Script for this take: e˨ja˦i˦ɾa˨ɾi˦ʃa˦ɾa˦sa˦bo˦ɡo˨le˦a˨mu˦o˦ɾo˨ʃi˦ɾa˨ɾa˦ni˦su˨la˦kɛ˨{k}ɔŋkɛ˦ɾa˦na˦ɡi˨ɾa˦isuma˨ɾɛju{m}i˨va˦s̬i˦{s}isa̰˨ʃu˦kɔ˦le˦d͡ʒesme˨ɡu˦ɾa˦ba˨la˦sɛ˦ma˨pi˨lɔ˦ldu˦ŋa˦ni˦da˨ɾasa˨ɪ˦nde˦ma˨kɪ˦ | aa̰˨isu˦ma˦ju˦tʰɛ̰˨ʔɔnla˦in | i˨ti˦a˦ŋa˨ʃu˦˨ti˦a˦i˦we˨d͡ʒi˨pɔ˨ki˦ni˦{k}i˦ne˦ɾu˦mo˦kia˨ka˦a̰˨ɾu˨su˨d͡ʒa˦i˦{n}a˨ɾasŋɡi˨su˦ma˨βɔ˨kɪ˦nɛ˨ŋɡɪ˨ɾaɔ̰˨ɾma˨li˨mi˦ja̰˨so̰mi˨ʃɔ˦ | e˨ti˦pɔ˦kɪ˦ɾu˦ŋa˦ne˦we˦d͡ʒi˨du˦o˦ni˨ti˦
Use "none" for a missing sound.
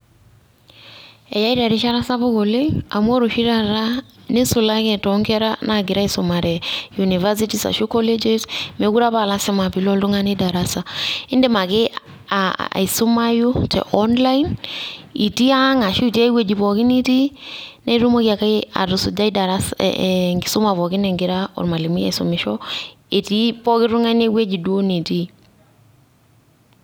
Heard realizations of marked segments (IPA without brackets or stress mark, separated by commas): t, n, t, t, d